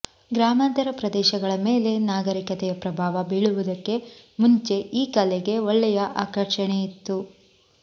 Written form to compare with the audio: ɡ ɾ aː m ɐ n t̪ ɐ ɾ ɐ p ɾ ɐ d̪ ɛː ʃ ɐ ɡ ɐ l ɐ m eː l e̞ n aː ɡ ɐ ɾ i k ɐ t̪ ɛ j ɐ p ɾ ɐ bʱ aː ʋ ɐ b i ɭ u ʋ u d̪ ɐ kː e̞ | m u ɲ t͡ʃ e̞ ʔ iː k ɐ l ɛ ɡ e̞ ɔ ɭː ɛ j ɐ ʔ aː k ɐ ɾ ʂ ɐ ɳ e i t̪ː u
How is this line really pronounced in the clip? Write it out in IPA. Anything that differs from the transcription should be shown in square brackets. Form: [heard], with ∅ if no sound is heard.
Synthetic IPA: ɡ ɾ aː m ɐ n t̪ ɐ ɾ ɐ p ɾ ɐ d̪ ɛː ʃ ɐ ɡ ɐ [ɭ] ɐ m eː l e̞ n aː ɡ ɐ ɾ i k ɐ t̪ ɛ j ɐ p ɾ ɐ bʱ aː ʋ ɐ b i ɭ u ʋ u d̪ ɐ kː e̞ | m u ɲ t͡ʃ e̞ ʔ iː k ɐ l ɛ ɡ e̞ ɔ ɭː ɛ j ɐ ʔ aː k ɐ ɾ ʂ ɐ ɳ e i t̪ː u